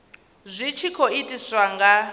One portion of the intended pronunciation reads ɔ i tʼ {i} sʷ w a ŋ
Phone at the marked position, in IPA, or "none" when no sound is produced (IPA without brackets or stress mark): i